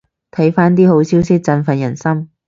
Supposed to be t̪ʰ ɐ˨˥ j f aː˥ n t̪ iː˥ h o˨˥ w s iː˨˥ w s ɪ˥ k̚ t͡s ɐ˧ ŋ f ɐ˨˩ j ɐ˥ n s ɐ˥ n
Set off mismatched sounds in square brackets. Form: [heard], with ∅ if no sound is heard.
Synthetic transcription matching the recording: t̪ʰ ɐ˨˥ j f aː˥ n t̪ iː˥ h o˨˥ w s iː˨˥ w s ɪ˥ k̚ t͡s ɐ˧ [n] f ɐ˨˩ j [ɐ˨˩] n s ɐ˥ [m]